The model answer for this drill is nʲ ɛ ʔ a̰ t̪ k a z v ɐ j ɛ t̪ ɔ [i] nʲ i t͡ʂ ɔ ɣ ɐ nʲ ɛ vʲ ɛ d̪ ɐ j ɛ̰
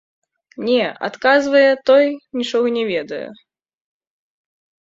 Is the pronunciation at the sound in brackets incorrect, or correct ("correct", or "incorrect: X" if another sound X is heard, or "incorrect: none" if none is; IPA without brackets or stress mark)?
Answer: incorrect: j